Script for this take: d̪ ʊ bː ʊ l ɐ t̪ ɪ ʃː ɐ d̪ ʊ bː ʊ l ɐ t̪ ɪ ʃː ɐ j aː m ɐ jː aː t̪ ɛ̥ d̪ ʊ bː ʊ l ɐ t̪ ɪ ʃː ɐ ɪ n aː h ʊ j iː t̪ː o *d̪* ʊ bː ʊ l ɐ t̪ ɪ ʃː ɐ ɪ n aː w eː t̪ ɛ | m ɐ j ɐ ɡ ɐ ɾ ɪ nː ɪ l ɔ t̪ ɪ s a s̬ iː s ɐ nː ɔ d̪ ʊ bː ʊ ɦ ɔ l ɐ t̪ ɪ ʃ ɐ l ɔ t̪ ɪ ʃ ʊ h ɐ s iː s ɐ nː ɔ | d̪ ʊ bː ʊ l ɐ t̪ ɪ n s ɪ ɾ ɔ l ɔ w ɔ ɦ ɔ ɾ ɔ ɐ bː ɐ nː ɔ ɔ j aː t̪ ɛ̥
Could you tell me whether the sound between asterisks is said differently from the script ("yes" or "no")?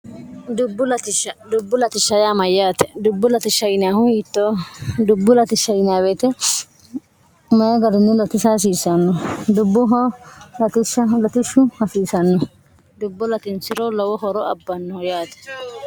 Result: no